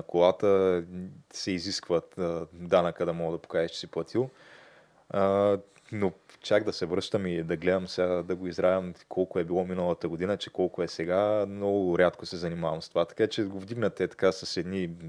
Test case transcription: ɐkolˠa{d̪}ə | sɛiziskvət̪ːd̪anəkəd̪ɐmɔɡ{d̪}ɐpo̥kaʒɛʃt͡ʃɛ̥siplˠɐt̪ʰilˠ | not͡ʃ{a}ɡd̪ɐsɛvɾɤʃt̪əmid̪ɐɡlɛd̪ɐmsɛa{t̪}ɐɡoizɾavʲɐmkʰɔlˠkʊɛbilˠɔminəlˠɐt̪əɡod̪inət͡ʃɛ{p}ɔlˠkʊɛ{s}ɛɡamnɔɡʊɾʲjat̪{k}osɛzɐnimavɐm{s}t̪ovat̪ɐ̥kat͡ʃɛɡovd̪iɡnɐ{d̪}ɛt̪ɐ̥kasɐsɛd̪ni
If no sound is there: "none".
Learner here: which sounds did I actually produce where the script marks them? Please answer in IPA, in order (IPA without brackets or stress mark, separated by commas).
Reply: t̪, d̪, a, d̪, k, s, k, s, t̪